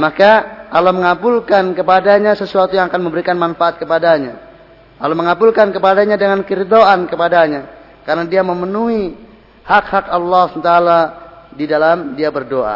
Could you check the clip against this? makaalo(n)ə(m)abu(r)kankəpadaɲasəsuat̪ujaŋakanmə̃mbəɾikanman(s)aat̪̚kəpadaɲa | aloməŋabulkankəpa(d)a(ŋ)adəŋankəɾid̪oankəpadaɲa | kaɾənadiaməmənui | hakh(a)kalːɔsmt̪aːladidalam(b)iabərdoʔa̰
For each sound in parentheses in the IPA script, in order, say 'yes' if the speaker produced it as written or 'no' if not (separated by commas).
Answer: no, no, no, no, yes, no, yes, no